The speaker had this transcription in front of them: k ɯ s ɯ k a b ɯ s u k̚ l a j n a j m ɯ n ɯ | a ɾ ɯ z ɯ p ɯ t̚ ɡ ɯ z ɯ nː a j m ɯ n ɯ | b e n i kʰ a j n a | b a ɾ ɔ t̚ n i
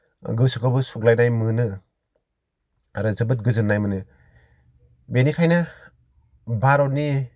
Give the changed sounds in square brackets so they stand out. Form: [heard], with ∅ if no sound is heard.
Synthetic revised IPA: [ɡ] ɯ s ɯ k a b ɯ s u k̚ l a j n a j m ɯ n ɯ | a ɾ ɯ z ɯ [b] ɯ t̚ ɡ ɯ z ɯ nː a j m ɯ n ɯ | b e n i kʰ a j n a | b a ɾ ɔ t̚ n i